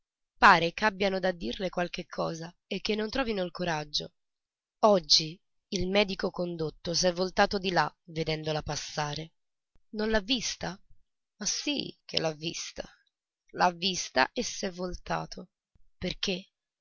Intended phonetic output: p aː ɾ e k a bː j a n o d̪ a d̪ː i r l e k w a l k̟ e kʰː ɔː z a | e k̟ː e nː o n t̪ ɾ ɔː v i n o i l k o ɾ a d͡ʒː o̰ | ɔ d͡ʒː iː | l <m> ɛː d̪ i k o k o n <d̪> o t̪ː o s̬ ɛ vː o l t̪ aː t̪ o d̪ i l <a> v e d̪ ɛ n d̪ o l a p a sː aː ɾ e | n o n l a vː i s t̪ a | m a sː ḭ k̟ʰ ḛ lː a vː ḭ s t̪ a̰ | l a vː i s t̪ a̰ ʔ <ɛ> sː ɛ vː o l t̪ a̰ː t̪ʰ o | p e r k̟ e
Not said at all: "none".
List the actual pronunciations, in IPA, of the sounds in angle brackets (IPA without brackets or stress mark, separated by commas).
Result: m, d̪, a, e